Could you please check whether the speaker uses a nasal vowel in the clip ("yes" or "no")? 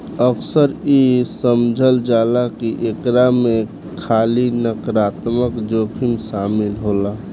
no